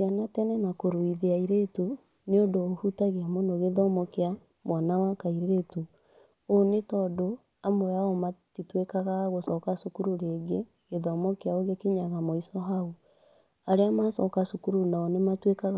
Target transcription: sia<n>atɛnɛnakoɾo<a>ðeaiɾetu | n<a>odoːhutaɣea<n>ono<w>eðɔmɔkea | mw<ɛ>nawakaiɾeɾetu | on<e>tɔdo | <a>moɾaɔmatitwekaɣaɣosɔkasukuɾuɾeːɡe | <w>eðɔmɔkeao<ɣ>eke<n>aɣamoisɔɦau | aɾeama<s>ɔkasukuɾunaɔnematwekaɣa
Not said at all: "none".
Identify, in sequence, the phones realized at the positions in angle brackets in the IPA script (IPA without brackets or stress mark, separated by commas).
n, i, e, m, ɣ, a, e, a, ɣ, ɣ, ɲ, s